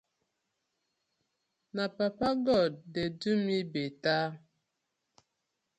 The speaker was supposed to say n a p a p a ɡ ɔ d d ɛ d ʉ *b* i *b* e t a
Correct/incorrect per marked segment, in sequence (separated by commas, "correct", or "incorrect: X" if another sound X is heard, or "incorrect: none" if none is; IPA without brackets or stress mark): incorrect: m, correct